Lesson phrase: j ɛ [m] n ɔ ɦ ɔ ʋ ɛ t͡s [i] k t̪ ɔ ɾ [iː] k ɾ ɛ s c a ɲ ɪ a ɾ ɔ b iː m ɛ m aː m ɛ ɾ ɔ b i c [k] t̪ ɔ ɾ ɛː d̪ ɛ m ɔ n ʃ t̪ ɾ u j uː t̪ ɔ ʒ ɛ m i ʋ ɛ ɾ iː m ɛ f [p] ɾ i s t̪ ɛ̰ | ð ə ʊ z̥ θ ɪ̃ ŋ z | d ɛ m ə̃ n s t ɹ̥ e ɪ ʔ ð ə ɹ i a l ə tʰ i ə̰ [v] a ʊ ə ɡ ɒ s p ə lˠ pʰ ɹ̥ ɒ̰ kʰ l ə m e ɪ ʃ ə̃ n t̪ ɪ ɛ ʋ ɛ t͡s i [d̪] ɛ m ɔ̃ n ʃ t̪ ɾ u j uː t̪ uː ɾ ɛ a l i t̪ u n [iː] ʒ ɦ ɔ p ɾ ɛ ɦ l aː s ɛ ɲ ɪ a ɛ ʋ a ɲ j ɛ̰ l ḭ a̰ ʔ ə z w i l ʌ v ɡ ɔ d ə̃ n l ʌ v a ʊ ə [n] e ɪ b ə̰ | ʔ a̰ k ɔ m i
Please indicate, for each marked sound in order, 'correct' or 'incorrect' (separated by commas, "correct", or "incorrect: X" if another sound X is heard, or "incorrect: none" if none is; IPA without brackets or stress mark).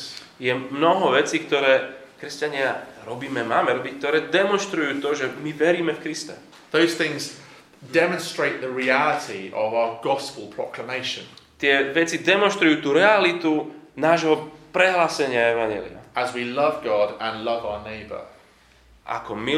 correct, incorrect: iː, incorrect: ɛː, correct, incorrect: k, correct, correct, incorrect: aː, correct